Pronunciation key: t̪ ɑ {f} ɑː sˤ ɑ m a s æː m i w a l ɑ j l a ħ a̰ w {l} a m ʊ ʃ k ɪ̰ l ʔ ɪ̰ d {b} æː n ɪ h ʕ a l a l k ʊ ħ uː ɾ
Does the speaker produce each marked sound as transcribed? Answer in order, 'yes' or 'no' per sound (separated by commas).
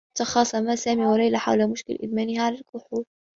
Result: no, yes, no